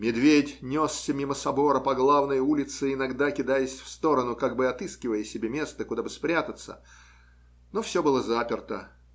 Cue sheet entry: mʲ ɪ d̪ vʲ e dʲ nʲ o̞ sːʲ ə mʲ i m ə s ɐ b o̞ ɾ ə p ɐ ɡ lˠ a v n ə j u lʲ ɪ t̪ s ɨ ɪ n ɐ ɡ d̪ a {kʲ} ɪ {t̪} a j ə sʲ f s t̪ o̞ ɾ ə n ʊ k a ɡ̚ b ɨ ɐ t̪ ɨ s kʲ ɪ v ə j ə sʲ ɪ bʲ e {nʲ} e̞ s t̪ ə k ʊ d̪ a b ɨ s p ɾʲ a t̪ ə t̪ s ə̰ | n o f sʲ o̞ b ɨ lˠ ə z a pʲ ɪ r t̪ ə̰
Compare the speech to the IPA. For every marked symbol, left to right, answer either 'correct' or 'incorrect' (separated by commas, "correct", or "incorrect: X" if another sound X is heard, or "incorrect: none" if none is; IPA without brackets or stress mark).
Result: correct, incorrect: d̪, incorrect: mʲ